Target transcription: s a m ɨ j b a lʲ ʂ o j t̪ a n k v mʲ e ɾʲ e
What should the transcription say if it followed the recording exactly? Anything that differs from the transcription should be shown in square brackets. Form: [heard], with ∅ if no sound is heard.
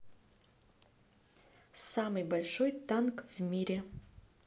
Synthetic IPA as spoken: s a m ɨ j b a lʲ ʂ o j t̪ a n k v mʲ [i] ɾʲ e